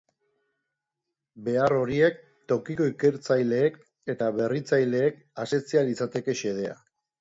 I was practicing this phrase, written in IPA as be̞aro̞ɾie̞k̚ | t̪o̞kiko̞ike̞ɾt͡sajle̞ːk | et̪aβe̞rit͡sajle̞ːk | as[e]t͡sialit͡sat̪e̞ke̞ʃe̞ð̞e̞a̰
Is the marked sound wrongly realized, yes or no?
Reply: no